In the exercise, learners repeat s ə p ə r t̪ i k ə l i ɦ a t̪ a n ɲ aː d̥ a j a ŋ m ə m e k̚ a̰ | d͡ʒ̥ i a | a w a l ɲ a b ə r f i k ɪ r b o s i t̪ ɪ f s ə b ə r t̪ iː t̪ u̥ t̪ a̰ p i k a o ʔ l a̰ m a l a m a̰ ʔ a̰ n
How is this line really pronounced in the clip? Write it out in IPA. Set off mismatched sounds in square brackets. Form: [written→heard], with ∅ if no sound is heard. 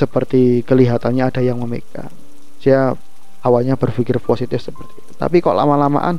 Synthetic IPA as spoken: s ə p ə r t̪ i k ə l i ɦ a t̪ a n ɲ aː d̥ a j a ŋ m ə m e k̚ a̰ | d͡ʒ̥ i a | a w a l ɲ a b ə r f i k ɪ r [b→p] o s i t̪ ɪ f s ə [b→p] ə r t̪ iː t̪ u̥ t̪ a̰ p i k a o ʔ l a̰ m a l a m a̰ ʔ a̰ n